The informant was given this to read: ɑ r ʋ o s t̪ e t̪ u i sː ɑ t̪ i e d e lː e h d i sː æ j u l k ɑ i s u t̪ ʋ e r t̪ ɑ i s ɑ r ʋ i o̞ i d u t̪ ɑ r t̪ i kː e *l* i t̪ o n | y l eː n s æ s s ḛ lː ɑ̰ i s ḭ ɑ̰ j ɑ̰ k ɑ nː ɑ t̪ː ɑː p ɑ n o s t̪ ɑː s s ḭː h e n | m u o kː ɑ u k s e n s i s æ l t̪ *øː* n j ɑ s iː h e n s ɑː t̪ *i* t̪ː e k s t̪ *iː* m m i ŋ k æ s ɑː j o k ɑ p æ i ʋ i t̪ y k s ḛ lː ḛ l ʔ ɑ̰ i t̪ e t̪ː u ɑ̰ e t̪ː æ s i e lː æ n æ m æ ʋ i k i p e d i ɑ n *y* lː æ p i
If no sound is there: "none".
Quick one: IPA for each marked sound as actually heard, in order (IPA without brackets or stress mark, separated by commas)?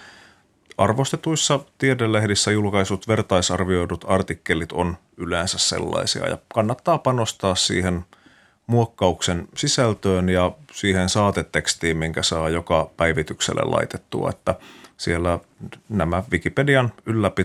l, øː, e, iː, y